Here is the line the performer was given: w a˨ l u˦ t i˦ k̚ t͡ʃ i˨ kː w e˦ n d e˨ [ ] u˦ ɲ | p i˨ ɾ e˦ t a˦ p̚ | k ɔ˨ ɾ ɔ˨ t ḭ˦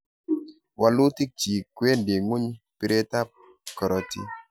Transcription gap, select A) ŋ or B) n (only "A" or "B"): A